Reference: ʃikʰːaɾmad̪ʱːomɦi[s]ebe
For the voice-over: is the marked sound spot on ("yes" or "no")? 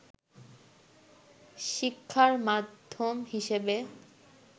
no